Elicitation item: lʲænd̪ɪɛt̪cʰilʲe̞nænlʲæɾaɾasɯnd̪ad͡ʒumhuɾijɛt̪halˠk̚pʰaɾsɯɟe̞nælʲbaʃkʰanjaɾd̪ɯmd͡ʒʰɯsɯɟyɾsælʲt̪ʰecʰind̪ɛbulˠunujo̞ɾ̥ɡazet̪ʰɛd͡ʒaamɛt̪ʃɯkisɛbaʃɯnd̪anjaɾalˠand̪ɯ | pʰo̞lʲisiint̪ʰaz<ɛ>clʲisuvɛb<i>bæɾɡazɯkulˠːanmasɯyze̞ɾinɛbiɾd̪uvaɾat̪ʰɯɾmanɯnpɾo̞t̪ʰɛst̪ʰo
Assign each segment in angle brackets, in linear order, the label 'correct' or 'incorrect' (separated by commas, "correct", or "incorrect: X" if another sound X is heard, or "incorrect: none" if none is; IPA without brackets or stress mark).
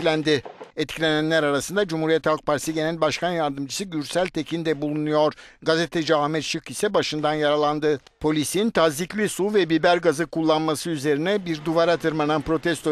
incorrect: i, correct